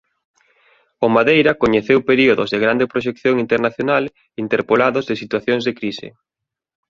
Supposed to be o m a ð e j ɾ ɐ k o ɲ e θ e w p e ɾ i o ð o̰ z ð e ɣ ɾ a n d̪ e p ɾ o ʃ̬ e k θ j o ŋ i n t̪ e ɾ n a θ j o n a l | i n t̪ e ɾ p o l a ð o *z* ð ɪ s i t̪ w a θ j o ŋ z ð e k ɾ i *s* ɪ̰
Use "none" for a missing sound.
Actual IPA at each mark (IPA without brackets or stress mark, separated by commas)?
z, s